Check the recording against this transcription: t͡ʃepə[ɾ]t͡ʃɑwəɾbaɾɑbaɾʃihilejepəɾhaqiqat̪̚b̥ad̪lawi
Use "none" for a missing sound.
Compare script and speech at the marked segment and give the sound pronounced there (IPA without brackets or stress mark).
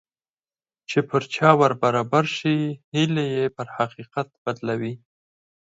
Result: ɾ